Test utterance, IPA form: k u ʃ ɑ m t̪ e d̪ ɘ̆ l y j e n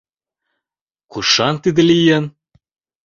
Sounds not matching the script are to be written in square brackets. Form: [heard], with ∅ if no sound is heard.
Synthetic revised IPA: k u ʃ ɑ [n] t̪ [i] d̪ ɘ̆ l [i] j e n

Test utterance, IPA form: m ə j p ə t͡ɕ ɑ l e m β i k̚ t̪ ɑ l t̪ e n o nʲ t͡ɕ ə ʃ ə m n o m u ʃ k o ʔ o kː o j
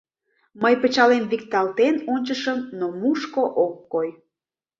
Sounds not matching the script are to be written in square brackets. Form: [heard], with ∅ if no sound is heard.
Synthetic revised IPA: m ə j p ə t͡ɕ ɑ l e m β i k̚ t̪ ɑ l t̪ e n o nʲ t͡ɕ ə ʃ ə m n o m u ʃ k o ʔ o kː o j

